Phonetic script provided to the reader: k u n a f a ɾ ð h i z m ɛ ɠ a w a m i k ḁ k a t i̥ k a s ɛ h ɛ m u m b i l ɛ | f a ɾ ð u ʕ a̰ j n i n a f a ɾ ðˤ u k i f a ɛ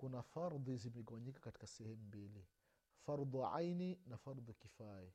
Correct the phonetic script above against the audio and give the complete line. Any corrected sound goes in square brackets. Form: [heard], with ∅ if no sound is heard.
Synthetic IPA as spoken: k u n a f a ɾ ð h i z m ɛ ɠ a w a [ɲ] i k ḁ k a t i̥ k a s ɛ h ɛ m u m b i l [i] | f a ɾ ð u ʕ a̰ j n i n a f a ɾ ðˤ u k i f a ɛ